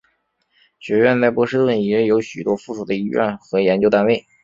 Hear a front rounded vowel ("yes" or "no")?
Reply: yes